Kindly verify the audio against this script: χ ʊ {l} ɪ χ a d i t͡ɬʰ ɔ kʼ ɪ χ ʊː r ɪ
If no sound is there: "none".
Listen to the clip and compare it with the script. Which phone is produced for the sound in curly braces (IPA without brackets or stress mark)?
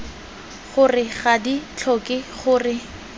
r